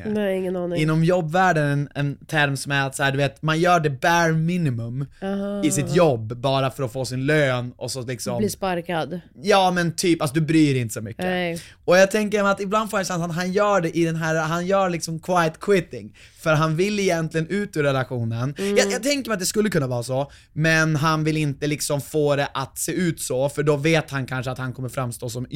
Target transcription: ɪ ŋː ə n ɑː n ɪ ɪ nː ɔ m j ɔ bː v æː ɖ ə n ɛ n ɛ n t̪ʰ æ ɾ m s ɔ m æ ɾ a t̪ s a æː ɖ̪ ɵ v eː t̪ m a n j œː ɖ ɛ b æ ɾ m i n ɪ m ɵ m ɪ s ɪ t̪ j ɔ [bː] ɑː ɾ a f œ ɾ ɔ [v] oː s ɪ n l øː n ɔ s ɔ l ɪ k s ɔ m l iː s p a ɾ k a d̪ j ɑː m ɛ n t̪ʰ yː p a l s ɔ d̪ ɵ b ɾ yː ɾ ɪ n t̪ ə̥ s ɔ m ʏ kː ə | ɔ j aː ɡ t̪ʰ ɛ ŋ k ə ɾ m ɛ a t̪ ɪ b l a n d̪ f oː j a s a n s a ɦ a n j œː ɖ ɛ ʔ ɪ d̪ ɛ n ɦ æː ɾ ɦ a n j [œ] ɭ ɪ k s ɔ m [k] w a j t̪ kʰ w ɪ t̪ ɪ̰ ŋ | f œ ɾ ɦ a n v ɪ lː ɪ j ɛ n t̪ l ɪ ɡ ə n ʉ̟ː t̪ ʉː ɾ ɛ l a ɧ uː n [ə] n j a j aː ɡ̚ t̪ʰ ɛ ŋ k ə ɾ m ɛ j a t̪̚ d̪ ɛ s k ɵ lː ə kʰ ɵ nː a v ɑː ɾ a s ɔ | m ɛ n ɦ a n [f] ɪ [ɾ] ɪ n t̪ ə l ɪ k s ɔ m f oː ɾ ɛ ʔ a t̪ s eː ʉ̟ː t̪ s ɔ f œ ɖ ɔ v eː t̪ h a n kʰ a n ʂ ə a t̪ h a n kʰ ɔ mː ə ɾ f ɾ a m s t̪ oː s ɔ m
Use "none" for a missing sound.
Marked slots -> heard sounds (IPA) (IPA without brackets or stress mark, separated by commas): bː, f, œː, kʰ, ə, v, l